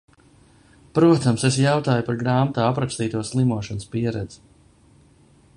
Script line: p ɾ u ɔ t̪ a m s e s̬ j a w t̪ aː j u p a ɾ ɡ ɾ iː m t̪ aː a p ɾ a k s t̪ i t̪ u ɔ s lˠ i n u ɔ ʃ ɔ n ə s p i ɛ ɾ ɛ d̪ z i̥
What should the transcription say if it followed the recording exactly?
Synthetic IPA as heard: p ɾ u ɔ t̪ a m s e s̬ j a w t̪ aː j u p a ɾ ɡ ɾ aː m t̪ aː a p ɾ a k s t̪ iː t̪ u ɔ s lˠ i m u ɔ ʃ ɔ n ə s p i ɛ ɾ ɛ d̪ z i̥